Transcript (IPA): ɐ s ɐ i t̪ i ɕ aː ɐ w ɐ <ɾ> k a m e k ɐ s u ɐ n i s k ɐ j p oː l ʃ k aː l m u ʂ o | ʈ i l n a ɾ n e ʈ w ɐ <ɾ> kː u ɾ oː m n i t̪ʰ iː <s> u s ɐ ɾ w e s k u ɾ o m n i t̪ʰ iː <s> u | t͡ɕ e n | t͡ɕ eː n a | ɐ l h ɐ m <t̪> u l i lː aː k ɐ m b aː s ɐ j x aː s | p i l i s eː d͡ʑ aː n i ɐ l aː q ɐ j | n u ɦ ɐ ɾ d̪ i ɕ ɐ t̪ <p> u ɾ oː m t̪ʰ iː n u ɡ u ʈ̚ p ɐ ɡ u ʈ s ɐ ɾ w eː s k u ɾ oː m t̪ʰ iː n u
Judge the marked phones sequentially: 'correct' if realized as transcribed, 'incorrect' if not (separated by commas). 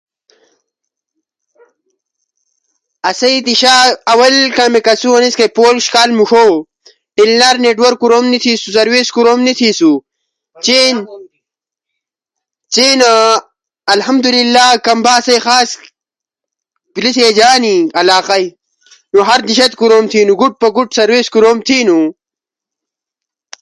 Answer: incorrect, correct, correct, correct, incorrect, incorrect